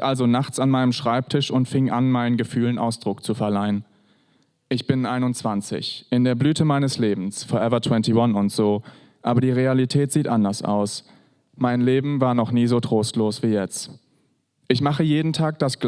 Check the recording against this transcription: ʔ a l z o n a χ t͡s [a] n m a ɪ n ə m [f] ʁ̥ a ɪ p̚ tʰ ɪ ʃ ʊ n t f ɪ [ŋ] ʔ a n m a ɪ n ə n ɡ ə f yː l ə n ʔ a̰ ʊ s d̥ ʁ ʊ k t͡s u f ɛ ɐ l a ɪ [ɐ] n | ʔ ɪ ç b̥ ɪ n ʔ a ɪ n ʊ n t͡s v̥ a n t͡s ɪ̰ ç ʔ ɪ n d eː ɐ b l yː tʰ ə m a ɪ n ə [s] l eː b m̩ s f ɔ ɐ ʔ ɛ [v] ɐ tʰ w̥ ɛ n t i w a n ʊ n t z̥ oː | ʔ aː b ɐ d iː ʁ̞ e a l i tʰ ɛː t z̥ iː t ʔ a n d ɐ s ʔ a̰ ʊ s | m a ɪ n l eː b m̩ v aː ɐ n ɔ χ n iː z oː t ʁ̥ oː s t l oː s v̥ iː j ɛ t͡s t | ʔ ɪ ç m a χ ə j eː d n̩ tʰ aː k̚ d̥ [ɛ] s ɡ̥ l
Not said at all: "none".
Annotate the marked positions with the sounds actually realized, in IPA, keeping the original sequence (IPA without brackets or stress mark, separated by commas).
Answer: a, ʃ, ŋ, ə, s, v, a